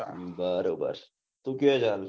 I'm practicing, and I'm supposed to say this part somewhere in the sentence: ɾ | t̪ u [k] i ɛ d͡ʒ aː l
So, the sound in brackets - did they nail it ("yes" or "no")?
yes